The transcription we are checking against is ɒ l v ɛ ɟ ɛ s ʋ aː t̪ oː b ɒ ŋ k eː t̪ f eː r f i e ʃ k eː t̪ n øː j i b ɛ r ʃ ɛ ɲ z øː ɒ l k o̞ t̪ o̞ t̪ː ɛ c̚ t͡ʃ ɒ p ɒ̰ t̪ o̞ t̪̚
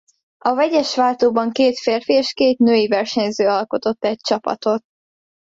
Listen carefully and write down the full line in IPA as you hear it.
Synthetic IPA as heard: ɒ v ɛ ɟ ɛ ʃ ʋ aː t̪ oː b ɒ ŋ k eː t̪ f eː r f i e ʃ k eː t̪ n øː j i v ɛ r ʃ ɛ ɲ z øː ɒ l k o̞ t̪ o̞ t̪ː ɛ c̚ t͡ʃ ɒ p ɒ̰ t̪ o̞ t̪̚